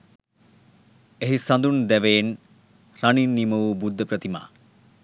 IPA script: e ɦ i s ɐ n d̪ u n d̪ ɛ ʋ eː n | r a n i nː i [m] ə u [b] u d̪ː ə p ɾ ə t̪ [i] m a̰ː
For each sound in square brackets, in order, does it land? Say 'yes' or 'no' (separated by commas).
yes, yes, yes